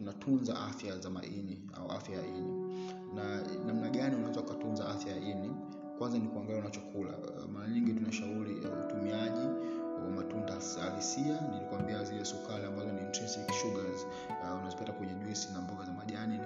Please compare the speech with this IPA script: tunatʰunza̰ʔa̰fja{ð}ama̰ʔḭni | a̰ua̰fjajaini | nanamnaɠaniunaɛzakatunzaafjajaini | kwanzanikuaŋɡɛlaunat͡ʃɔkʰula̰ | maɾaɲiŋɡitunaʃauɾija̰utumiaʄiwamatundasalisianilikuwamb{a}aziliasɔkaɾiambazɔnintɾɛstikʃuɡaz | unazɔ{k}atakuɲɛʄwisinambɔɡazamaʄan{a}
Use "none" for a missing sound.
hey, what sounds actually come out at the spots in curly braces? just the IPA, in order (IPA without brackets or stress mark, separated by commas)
z, i, p, i